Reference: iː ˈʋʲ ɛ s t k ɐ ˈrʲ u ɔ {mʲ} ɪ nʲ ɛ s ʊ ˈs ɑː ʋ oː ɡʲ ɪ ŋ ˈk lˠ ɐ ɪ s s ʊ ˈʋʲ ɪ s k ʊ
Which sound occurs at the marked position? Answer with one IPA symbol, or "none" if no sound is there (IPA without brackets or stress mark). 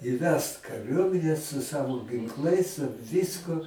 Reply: mʲ